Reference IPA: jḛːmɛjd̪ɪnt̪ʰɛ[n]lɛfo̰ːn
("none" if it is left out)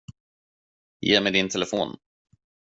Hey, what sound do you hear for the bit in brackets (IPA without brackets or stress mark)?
none